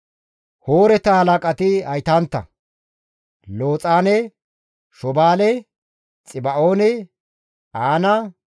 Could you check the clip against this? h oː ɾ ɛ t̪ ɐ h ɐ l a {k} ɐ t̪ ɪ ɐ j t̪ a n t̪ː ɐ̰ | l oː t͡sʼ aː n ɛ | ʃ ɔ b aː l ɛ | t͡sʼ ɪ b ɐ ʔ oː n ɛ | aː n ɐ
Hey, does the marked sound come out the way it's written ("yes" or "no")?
no